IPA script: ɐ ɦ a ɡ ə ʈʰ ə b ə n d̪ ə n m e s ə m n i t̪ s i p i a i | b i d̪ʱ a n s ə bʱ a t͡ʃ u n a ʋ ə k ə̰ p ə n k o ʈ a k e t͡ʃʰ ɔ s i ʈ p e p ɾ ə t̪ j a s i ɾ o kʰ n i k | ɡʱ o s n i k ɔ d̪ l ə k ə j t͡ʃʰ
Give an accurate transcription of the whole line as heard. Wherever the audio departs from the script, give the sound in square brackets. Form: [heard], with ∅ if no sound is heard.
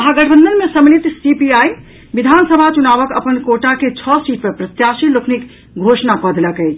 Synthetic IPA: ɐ ɦ a ɡ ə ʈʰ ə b ə n d̪ ə n m e s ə m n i t̪ s i p i a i | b i d̪ʱ a n s ə bʱ a t͡ʃ u n a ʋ ə k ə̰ p ə n k o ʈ a k e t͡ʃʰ ɔ s i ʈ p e p ɾ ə t̪ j a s i [l] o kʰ n i k | ɡʱ o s n [a] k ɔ d̪ l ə k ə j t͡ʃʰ